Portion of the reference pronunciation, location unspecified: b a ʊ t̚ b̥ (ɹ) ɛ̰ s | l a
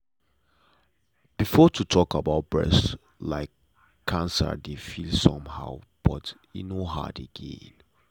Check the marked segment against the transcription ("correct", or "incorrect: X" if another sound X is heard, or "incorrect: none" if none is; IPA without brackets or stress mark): correct